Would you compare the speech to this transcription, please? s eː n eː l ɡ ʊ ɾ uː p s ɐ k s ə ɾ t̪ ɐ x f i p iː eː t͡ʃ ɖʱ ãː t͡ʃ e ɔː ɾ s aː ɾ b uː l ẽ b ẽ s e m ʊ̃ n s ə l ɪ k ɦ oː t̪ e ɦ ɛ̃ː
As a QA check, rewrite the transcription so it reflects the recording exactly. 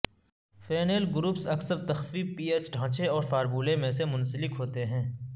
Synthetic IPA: f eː n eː l ɡ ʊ ɾ uː p s ɐ k s ə ɾ t̪ ɐ x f i p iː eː t͡ʃ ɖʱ ãː t͡ʃ e ɔː ɾ f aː ɾ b uː l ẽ m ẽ s e m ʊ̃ n s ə l ɪ k ɦ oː t̪ e ɦ ɛ̃ː